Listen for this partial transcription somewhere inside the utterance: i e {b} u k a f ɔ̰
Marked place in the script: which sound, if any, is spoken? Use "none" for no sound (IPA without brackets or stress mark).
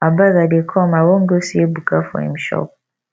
b